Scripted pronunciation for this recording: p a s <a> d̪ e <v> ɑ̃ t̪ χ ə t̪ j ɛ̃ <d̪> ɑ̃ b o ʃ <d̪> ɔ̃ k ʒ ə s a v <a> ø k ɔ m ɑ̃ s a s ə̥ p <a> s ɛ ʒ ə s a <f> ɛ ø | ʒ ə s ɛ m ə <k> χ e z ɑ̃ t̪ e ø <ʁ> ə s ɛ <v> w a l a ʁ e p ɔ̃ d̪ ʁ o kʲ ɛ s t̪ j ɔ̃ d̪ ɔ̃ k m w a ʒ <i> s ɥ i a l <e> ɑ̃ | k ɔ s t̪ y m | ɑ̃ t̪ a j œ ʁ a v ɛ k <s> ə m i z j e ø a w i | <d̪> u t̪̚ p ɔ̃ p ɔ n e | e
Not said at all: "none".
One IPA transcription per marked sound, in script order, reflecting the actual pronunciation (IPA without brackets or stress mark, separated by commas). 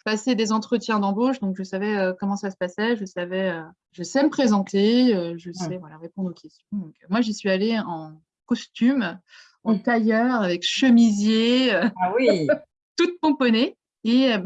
e, z, d̪, d̪, ɛ, a, v, p, ʒ, v, i, e, ʃ, t̪